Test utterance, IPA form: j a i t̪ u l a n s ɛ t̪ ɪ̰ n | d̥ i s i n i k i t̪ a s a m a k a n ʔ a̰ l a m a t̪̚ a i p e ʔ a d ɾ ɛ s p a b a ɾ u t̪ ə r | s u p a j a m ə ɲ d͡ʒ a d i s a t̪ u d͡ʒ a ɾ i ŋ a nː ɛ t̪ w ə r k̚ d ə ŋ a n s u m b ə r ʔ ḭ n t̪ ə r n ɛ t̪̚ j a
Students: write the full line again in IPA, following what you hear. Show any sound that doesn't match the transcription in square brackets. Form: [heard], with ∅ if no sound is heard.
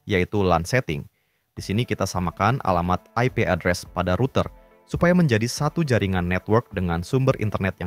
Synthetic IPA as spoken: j a i t̪ u l a n s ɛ t̪ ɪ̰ [ŋ] | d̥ i s i n i k i t̪ a s a m a k a n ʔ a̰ l a m a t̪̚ a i p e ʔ a d ɾ ɛ s p a [d] a ɾ u t̪ ə r | s u p a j a m ə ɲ d͡ʒ a d i s a t̪ u d͡ʒ a ɾ i ŋ a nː ɛ t̪ w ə r k̚ d ə ŋ a n s u m b ə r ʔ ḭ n t̪ ə r n ɛ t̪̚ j a